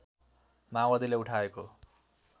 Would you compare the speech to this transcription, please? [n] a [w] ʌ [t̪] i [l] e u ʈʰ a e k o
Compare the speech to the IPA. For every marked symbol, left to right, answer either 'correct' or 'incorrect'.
incorrect, correct, incorrect, correct

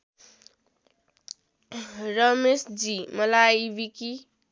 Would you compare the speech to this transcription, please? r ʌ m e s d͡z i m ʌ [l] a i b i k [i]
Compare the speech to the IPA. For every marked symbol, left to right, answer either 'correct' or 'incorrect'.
correct, correct

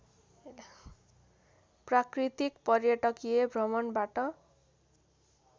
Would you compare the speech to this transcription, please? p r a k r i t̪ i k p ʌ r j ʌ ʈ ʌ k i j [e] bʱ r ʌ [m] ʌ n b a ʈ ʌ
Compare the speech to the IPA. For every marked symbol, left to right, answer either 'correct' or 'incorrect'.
correct, correct

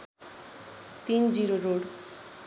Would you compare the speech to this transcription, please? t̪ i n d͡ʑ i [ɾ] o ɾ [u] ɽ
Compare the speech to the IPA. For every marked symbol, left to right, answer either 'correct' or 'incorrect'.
correct, incorrect

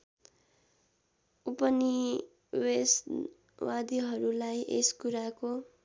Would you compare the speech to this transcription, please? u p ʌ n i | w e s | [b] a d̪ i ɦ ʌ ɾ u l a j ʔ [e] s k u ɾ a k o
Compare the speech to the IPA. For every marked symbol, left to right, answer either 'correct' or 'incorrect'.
incorrect, correct

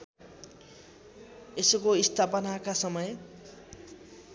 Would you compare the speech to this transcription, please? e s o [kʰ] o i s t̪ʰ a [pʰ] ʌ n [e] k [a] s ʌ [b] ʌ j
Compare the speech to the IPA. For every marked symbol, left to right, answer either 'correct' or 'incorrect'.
incorrect, incorrect, incorrect, correct, incorrect

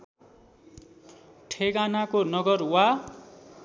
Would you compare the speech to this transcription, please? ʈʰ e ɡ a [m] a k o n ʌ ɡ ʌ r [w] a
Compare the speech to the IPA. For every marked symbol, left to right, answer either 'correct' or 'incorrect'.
incorrect, correct

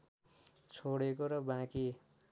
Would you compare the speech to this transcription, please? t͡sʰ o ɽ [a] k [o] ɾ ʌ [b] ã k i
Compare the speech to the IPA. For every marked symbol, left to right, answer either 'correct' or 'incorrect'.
incorrect, correct, correct

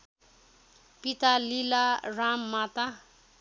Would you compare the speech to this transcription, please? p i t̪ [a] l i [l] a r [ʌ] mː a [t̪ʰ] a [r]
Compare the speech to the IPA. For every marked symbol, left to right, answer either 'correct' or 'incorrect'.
correct, correct, incorrect, incorrect, incorrect

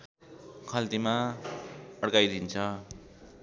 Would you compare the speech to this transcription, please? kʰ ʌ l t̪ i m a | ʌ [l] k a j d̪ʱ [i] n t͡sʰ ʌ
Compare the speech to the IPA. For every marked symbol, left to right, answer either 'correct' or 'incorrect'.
incorrect, correct

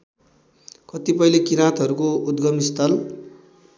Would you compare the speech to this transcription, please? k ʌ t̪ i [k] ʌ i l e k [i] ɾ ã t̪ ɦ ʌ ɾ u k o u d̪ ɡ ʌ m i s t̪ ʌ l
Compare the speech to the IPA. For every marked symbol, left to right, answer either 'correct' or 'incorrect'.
incorrect, correct

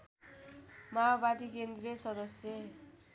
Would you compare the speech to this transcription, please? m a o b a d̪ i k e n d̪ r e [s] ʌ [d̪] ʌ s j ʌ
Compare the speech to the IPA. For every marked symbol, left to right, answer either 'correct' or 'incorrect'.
correct, correct

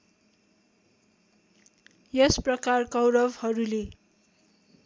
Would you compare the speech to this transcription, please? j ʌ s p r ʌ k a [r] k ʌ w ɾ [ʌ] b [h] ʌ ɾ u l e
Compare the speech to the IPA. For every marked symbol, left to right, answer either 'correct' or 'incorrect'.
correct, correct, correct

